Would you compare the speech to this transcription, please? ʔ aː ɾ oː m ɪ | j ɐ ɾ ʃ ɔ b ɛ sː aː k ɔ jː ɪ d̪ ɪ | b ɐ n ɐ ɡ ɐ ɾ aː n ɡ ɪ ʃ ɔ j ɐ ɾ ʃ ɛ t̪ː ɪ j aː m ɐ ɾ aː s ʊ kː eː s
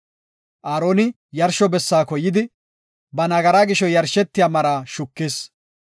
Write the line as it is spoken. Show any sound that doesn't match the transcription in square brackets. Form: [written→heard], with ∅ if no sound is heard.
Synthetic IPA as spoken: ʔ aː ɾ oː [m→n] ɪ | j ɐ ɾ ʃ ɔ b ɛ sː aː k ɔ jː ɪ d̪ ɪ | b ɐ n ɐ ɡ ɐ ɾ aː [n→∅] ɡ ɪ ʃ ɔ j ɐ ɾ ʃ ɛ t̪ː ɪ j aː m ɐ ɾ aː [s→ʃ] ʊ kː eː s